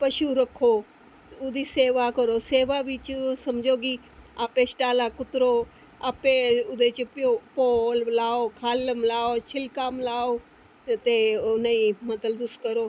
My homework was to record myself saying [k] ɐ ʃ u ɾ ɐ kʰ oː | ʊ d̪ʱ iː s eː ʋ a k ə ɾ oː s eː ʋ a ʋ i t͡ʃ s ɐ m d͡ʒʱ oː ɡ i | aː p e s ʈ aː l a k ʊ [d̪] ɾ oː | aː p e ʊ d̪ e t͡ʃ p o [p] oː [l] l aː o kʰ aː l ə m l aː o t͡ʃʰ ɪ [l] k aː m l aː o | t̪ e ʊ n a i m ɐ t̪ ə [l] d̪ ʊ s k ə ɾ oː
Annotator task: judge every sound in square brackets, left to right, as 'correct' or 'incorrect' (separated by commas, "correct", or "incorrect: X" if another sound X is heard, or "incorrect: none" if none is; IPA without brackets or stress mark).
incorrect: p, incorrect: t̪, correct, correct, correct, correct